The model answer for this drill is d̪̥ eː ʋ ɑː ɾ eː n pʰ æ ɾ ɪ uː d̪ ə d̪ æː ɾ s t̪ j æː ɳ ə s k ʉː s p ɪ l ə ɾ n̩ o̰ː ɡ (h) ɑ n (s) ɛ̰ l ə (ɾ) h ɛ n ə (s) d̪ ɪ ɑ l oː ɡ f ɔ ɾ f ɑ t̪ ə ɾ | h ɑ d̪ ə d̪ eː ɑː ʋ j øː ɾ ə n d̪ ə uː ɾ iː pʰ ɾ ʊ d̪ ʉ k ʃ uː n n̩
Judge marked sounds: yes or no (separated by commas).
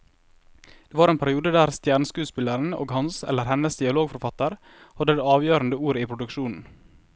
yes, yes, yes, yes